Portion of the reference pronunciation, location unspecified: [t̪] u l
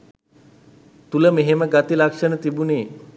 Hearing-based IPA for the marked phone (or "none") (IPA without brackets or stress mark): t̪